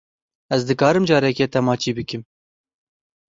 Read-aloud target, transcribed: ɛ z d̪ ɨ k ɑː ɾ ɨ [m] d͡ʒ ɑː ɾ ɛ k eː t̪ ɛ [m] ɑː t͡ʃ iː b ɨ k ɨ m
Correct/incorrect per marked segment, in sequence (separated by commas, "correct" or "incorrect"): correct, correct